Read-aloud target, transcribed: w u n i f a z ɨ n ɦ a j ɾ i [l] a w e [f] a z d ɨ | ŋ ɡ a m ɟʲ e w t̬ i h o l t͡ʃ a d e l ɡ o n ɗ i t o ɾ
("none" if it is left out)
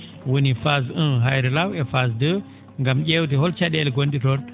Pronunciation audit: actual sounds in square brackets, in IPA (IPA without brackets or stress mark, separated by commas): l, f